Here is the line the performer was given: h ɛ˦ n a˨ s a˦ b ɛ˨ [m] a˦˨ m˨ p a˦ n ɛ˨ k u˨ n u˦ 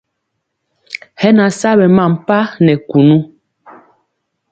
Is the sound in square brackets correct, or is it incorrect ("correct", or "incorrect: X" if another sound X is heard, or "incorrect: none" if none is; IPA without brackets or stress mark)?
correct